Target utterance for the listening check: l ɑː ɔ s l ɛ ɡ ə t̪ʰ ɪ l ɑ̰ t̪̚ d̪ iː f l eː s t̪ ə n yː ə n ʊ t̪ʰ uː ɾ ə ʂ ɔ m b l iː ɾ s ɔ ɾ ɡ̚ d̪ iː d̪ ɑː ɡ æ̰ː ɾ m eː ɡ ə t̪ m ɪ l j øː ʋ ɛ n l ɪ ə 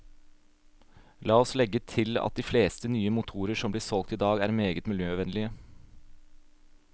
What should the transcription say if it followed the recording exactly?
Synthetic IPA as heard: l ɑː ɔ s l ɛ ɡ ə t̪ʰ ɪ l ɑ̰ t̪̚ d̪ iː f l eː s t̪ ə n yː ə m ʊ t̪ʰ uː ɾ ə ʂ ɔ m b l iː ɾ s ɔ l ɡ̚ t̪ iː d̪ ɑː ɡ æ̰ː ɾ m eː ɡ ə t̪ m ɪ l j øː ʋ ɛ n l ɪ ə